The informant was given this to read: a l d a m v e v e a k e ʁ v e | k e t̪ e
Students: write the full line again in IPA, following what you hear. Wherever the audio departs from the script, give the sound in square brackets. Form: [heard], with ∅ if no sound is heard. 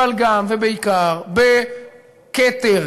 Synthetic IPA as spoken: a l [ɡ] a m v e [b] e [i] k [a] ʁ [b] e | k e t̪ e